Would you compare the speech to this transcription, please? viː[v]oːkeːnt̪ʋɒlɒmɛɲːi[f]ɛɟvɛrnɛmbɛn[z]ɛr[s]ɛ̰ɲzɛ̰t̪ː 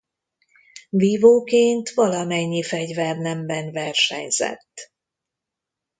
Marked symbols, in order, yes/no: yes, yes, no, no

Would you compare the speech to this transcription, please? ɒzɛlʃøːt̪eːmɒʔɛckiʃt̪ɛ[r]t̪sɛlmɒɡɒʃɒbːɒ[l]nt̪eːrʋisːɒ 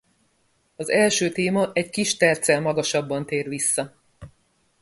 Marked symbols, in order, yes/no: yes, no

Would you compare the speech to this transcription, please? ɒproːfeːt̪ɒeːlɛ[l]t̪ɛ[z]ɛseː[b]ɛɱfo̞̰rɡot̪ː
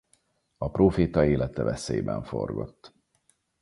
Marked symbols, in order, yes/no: no, no, yes

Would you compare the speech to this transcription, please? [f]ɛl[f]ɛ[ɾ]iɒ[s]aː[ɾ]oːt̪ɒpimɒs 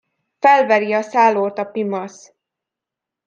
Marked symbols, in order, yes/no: yes, no, yes, yes, no

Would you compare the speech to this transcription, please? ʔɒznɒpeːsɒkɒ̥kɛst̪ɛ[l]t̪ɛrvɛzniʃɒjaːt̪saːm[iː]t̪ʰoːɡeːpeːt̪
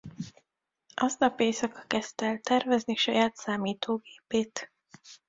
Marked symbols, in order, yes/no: yes, yes

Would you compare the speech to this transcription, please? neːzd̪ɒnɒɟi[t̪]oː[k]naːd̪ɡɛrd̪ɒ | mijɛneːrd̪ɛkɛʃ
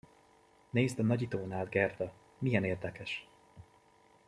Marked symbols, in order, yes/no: yes, no

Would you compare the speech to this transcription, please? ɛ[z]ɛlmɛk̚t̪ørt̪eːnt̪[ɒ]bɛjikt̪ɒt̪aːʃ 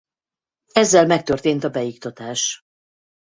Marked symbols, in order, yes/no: no, yes

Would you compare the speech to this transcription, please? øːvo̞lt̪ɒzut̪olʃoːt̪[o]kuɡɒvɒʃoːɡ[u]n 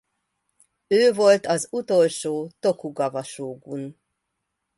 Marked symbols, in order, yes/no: yes, yes

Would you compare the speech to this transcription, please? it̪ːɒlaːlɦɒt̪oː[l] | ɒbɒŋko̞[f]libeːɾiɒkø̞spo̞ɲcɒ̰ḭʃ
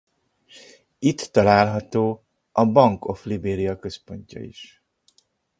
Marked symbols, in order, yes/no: no, yes

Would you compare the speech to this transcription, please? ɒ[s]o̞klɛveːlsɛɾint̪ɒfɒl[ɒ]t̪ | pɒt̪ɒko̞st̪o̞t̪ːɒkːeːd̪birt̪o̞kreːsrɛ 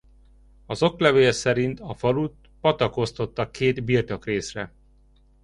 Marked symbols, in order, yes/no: no, no

